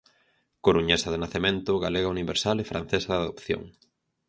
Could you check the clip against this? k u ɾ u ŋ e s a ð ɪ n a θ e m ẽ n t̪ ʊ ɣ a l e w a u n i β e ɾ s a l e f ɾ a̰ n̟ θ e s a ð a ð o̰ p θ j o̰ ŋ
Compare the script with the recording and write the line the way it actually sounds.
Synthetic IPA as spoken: k o ɾ u ɲ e s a ð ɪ n a θ e m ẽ n t̪ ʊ ɣ a l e ɣ a u n i β e ɾ s a l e f ɾ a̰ n̟ θ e s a ð a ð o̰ p θ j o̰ ŋ